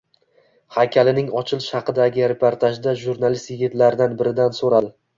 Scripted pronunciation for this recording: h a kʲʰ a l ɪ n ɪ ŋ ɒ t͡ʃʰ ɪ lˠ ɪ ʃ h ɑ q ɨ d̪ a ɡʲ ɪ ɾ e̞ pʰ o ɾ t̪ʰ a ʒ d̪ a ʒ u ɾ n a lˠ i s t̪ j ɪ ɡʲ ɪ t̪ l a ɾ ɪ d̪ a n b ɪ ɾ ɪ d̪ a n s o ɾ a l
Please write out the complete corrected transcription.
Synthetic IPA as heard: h a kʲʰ a l ɪ n ɪ ŋ ɒ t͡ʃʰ ɪ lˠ ɪ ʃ h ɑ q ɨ d̪ a ɡʲ ɪ ɾ e̞ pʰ o ɾ t̪ʰ a ʒ d̪ a ʒ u ɾ n a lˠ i s t̪ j ɪ ɡʲ ɪ t̪ l a ɾ ɪ d̪ a n b ɪ ɾ ɪ d̪ a n s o ɾ a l

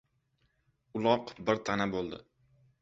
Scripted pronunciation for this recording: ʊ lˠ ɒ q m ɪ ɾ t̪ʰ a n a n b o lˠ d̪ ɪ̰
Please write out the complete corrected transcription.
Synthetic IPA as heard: ʊ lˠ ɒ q b ɪ ɾ t̪ʰ a n a b o lˠ d̪ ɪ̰

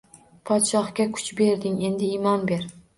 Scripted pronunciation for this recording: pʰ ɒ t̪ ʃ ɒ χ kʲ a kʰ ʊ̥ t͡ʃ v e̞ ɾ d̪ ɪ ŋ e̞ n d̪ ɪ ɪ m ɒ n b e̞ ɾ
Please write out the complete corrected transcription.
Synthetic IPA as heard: pʰ ɒ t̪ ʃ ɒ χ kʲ a kʰ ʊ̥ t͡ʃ b e̞ ɾ d̪ ɪ ŋ e̞ n d̪ ɪ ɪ m ɒ n b e̞ ɾ

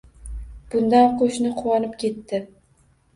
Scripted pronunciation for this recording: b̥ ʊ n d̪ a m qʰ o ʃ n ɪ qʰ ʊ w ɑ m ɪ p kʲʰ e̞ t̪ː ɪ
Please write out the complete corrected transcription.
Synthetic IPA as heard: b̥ ʊ n d̪ a n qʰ o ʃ n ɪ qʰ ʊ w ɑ n ɪ p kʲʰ e̞ t̪ː ɪ

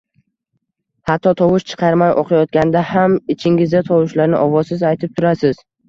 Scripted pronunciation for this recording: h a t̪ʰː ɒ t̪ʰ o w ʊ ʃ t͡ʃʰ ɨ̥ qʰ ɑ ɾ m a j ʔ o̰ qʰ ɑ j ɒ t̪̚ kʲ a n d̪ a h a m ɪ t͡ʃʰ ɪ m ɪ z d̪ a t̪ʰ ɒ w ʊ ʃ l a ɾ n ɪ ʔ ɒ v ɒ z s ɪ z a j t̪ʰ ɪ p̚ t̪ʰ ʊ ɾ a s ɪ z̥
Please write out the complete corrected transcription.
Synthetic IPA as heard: h a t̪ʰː ɒ t̪ʰ ɒ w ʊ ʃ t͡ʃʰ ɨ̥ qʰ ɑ ɾ m a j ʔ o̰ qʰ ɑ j ɒ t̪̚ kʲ a n d̪ a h a m ɪ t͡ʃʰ ɪ ŋ ɪ z d̪ a t̪ʰ ɒ w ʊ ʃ l a ɾ n ɪ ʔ ɒ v ɒ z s ɪ z a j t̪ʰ ɪ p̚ t̪ʰ ʊ ɾ a s ɪ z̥

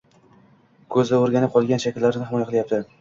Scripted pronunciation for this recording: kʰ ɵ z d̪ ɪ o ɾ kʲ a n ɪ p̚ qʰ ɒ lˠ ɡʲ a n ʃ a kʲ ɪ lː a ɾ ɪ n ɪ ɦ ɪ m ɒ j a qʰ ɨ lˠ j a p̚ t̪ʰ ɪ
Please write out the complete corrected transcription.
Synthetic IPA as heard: kʰ ɵ z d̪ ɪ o ɾ ɡʲ a n ɪ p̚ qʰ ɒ lˠ ɡʲ a n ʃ a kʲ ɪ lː a ɾ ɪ n ɪ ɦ ɪ m ɒ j a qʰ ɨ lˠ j a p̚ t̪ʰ ɪ

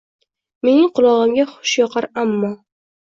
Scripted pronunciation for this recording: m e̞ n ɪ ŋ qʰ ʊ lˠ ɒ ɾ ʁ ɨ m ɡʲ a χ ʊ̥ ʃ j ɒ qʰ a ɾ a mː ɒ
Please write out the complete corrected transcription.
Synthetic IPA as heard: m e̞ n ɪ ŋ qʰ ʊ lˠ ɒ ʁ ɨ m ɡʲ a χ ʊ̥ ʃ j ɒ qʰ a ɾ a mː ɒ

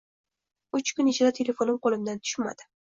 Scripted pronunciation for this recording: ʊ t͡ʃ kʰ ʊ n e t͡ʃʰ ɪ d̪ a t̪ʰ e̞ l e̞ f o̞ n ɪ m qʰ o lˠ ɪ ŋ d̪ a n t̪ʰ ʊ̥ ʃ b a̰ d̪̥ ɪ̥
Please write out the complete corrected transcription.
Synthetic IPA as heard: ʊ t͡ʃ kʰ ʊ n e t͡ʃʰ ɪ d̪ a t̪ʰ e̞ l e̞ f o̞ n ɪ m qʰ o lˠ ɪ m d̪ a n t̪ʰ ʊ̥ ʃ m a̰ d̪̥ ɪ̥

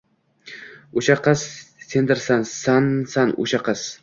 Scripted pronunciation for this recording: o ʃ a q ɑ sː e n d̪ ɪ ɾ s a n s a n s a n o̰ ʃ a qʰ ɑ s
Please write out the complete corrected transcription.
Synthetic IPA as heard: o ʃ a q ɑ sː e n d̪ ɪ ɾ s a n s a n s a n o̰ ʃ a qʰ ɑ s

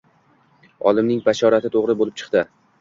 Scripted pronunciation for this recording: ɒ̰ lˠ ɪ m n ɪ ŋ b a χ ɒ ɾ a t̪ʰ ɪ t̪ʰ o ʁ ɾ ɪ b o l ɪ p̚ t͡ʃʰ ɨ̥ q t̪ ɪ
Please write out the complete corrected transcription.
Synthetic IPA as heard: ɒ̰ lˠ ɪ m n ɪ ŋ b a ʃ ɒ ɾ a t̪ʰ ɪ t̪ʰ o ʁ ɾ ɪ b o l ɪ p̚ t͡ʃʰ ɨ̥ q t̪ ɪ

